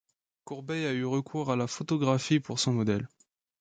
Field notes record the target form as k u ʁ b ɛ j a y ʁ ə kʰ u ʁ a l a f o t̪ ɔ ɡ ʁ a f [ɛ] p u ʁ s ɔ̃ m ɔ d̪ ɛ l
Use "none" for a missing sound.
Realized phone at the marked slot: i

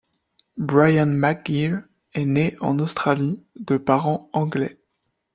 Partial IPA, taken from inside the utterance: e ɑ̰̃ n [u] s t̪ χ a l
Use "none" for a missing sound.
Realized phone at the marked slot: o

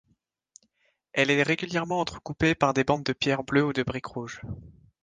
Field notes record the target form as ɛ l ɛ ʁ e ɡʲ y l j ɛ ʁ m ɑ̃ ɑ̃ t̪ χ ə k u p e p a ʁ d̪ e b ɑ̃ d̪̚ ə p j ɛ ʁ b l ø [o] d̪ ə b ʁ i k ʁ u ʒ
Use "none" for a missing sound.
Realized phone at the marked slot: u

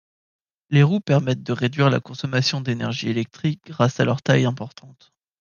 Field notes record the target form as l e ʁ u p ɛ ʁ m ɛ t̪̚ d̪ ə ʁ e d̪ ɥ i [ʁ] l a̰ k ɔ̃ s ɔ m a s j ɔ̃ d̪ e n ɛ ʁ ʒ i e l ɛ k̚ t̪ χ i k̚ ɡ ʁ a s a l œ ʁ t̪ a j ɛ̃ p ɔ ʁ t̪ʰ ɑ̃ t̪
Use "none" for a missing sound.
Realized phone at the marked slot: ʁ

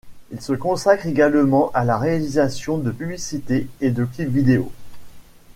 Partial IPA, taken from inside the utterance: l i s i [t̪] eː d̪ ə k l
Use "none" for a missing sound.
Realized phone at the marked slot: t̪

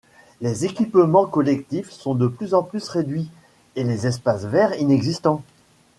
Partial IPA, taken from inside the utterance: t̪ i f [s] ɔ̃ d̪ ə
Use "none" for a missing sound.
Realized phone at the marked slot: s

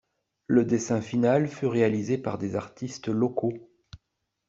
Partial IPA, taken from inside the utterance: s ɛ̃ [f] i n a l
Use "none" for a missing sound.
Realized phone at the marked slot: f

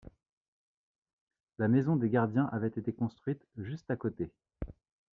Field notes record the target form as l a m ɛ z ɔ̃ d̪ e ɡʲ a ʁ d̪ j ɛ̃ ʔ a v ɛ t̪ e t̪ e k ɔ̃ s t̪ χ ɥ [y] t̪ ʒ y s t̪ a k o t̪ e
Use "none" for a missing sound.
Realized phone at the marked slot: i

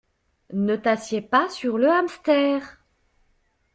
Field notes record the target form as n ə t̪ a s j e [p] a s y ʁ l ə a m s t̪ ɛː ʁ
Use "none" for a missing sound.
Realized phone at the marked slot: p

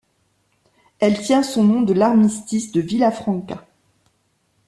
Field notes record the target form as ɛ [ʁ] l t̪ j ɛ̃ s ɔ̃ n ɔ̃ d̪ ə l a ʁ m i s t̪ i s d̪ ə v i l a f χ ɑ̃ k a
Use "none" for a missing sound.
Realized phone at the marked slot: none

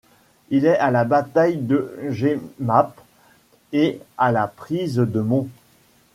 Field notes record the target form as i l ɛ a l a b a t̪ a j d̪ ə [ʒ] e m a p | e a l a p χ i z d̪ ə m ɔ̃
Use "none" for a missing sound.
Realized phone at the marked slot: ʒ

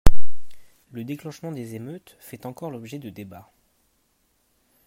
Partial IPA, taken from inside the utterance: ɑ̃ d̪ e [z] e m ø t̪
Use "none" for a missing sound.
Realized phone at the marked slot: z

